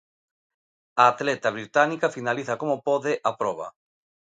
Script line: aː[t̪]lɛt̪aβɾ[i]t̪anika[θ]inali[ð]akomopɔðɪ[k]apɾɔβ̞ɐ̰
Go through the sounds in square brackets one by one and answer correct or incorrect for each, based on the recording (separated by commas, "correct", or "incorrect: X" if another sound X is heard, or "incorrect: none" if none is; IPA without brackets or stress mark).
correct, correct, incorrect: f, incorrect: θ, incorrect: ʔ